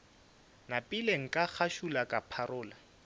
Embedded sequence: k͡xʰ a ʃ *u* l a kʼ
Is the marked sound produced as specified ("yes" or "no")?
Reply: yes